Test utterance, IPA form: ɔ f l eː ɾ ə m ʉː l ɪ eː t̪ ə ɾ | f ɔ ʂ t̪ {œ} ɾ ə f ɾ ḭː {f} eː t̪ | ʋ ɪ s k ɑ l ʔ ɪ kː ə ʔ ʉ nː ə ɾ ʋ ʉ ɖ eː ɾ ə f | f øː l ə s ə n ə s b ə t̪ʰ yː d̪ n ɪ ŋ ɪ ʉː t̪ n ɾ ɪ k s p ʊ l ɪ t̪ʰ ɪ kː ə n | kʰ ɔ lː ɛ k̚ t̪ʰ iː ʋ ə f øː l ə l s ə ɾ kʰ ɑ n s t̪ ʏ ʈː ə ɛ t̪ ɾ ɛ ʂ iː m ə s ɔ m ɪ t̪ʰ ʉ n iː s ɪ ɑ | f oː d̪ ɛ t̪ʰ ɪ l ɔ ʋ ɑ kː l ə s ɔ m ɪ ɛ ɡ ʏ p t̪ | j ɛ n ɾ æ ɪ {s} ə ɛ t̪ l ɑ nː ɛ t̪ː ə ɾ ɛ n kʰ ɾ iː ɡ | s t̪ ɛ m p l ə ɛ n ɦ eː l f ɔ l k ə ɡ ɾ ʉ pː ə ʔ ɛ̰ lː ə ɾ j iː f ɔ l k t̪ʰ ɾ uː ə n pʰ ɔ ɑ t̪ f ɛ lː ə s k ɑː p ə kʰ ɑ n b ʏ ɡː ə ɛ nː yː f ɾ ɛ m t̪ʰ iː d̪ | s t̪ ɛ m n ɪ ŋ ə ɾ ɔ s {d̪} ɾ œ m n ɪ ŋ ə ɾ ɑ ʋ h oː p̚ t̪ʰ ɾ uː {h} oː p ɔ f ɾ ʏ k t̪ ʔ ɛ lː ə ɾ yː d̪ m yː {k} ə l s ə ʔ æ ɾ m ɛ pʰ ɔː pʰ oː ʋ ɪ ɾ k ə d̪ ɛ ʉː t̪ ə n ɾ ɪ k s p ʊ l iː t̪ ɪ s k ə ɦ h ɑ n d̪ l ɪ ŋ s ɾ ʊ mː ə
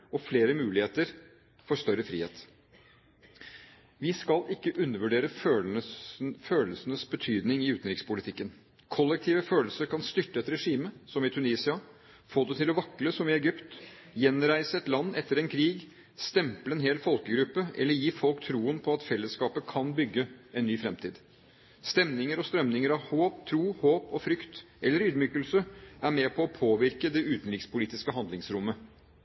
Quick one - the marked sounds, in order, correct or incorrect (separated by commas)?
correct, incorrect, correct, incorrect, correct, correct